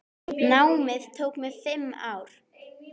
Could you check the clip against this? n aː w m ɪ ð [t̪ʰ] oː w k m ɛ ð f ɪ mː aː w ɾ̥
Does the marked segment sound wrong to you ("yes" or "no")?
no